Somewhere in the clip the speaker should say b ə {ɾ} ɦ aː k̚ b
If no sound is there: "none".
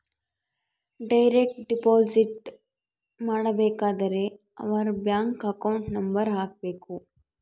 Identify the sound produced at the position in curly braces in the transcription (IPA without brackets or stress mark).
ɾ